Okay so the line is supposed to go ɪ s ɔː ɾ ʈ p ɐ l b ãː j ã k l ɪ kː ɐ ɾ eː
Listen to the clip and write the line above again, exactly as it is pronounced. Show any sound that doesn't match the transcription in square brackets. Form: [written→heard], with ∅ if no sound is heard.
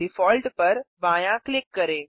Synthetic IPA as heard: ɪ [s→f] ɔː [ɾ→l] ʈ p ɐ [l→ɾ] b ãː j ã k l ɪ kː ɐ ɾ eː